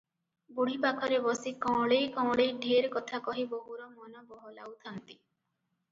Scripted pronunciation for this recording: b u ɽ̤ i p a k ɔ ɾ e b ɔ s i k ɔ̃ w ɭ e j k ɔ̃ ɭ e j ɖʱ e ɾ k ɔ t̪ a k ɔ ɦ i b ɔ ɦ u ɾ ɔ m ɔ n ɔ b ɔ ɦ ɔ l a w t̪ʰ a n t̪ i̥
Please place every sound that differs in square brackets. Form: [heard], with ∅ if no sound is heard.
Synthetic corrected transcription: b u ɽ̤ i p a [kʰ] ɔ ɾ e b ɔ s i k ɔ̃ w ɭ e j k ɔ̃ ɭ e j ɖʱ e ɾ k ɔ [t̪ʰ] a k ɔ ɦ i b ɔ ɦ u ɾ ɔ m ɔ n ɔ b ɔ ɦ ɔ l a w t̪ʰ a n t̪ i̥